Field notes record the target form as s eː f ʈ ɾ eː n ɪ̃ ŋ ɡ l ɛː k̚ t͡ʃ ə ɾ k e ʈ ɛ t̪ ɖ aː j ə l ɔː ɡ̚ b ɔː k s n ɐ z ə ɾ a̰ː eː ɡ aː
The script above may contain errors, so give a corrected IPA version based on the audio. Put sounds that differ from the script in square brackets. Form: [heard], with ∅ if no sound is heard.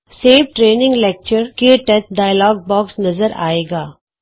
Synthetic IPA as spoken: s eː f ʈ ɾ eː n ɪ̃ ŋ ɡ l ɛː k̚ t͡ʃ ə ɾ k e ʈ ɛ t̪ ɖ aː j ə l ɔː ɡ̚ b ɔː k s n ɐ z ə ɾ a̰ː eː ɡ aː

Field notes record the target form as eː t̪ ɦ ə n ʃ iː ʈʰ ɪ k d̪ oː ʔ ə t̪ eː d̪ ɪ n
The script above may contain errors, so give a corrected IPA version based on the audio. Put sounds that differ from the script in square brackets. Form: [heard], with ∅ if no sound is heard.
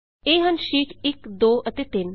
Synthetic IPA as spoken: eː [∅] ɦ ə n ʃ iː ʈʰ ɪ k d̪ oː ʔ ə t̪ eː [t̪] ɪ n

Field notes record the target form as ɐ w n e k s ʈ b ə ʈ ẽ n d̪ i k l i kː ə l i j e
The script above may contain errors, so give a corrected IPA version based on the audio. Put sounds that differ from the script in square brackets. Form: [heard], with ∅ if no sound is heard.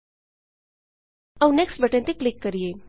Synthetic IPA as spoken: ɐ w n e k s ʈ b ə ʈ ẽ n [t̪] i k l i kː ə [ɾ] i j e

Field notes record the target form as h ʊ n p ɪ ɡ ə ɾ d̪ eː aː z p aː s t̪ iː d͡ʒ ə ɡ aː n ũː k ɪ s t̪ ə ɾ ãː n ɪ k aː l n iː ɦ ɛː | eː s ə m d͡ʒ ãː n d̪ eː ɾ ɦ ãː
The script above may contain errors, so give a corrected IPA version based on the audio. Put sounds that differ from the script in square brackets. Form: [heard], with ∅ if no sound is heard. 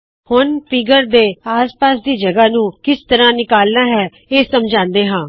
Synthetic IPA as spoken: h ʊ n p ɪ ɡ ə ɾ d̪ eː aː [s] p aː s [d̪] iː d͡ʒ ə ɡ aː n ũː k ɪ s t̪ ə ɾ ãː n ɪ k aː l n [aː] ɦ ɛː | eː s ə m d͡ʒ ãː n d̪ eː [∅] ɦ ãː

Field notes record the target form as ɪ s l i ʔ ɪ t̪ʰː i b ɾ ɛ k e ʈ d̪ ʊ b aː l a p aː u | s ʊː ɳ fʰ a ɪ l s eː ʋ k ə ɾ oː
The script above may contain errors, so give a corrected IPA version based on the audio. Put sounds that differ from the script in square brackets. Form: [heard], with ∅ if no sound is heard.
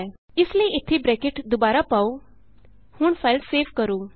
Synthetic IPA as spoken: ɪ s l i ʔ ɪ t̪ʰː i b ɾ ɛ k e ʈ d̪ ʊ b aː [ɾ] a p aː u | [h] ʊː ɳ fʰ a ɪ l s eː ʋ k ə ɾ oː

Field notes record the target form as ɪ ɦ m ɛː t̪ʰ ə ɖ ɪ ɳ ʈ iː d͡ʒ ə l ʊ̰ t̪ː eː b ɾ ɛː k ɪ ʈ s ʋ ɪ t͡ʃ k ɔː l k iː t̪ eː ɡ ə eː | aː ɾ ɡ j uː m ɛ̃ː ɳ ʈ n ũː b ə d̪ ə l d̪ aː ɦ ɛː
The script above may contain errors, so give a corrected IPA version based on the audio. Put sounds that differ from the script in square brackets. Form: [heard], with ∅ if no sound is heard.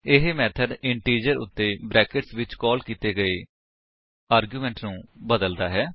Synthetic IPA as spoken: ɪ ɦ m ɛː t̪ʰ ə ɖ ɪ ɳ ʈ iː d͡ʒ ə [ɾ] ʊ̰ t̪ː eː b ɾ ɛː k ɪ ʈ s ʋ ɪ t͡ʃ k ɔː l k iː t̪ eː ɡ ə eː | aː ɾ ɡ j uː m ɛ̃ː ɳ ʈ n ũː b ə d̪ ə l d̪ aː ɦ ɛː

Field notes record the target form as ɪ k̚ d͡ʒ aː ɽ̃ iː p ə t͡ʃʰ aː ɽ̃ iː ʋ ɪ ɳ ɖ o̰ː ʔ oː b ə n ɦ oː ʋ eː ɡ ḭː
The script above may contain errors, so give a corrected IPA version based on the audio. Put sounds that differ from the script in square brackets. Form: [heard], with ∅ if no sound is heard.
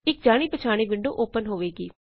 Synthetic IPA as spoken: ɪ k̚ d͡ʒ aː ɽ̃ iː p ə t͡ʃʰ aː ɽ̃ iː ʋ ɪ ɳ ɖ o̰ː ʔ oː [p] ə n ɦ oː ʋ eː ɡ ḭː

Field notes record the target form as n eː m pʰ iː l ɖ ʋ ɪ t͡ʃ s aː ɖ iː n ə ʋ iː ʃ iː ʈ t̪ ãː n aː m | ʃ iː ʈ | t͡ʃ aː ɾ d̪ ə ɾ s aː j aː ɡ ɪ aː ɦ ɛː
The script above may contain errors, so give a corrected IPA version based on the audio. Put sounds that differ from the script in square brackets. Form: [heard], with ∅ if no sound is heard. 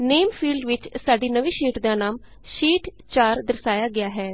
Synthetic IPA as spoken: n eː m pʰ iː l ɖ ʋ ɪ t͡ʃ s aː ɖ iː n ə ʋ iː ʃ iː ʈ [d̪] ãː n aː m | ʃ iː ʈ | t͡ʃ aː ɾ d̪ ə ɾ s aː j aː ɡ ɪ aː ɦ ɛː

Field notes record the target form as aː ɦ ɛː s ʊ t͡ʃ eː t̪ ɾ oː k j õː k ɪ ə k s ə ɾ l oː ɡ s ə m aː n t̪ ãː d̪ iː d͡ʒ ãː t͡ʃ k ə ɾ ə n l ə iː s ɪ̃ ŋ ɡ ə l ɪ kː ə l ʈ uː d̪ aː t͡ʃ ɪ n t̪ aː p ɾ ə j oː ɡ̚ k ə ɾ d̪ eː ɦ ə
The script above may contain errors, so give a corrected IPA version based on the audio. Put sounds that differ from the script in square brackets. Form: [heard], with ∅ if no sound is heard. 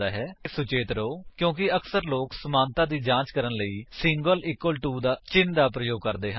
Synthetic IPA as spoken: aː ɦ ɛː s ʊ t͡ʃ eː t̪ ɾ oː k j õː k ɪ ə k s ə ɾ l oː [k] s ə m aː n t̪ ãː d̪ iː d͡ʒ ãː t͡ʃ k ə ɾ ə n l ə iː s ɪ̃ ŋ ɡ ə l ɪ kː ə l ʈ uː d̪ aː t͡ʃ ɪ n [d̪] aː p ɾ ə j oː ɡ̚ k ə ɾ d̪ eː ɦ ə

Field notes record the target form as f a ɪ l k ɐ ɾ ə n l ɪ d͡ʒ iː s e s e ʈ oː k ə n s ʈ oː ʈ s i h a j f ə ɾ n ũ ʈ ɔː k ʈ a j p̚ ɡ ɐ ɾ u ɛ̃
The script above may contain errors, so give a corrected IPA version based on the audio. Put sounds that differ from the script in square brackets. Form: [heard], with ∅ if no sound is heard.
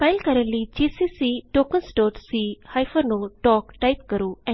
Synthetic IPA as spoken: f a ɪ l k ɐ ɾ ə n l [i] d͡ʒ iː s [i] s [i] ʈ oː k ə n s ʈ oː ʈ s i h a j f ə ɾ n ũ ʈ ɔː k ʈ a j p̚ [k] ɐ ɾ u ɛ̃

